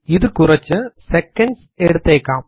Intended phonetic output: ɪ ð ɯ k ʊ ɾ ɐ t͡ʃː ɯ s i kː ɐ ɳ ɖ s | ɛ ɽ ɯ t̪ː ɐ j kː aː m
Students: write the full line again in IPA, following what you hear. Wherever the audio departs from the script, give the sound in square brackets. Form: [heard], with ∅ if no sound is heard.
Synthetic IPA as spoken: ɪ ð ɯ k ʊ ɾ ɐ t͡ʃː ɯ s [ɛ] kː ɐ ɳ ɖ s | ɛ ɽ ɯ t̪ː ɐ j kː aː m